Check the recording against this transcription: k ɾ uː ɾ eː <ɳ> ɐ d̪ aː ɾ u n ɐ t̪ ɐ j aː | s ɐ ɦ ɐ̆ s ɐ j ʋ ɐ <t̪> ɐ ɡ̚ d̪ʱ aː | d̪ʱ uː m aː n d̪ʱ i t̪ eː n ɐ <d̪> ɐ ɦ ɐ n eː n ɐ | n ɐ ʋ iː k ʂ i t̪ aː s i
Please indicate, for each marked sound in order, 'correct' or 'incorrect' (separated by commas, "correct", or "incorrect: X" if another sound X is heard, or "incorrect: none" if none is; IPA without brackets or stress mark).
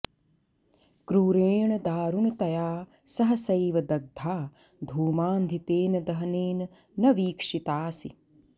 correct, incorrect: d̪, correct